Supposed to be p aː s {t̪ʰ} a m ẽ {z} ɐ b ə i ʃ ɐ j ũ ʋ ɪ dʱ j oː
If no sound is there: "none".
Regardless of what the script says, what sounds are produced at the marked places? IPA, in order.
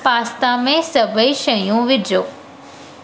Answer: t̪, s

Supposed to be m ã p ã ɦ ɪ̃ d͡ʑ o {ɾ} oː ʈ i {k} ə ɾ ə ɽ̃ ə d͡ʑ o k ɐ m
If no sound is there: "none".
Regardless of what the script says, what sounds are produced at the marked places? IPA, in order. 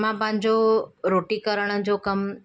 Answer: ɾ, k

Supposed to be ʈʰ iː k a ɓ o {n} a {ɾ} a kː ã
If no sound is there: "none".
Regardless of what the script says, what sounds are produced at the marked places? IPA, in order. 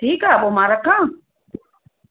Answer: m, ɾ

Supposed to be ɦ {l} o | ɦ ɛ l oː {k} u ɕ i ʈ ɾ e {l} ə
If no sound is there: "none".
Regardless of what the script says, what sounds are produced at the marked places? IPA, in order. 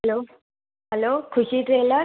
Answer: l, kʰ, l

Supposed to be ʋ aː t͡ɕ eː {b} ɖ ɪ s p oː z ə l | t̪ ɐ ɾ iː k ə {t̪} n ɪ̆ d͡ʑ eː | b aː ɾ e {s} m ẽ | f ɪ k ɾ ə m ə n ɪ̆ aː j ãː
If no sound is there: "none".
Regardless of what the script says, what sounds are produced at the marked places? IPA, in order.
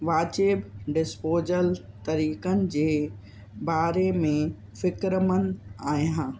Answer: b, none, none

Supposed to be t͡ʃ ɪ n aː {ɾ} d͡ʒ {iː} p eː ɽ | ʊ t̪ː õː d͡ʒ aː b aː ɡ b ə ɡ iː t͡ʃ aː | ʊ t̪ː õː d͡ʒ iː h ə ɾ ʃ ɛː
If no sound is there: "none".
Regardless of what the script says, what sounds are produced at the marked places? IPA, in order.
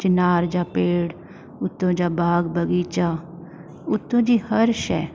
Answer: ɾ, aː

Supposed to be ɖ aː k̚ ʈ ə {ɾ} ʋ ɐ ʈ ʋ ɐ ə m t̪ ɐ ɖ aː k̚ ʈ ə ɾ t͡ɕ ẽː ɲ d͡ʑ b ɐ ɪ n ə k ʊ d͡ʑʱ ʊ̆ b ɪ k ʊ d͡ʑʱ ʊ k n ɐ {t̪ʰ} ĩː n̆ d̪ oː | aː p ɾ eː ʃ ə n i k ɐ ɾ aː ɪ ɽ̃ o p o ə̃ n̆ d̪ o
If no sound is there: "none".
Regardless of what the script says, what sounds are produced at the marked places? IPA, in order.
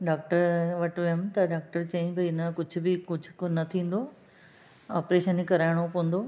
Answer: ɾ, t̪ʰ

